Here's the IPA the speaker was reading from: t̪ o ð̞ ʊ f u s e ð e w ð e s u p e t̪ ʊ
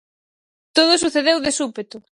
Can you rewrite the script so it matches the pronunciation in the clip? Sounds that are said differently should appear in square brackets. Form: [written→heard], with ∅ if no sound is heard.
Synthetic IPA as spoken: t̪ o ð̞ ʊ [f→s] u [s→θ] e ð e w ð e s u p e t̪ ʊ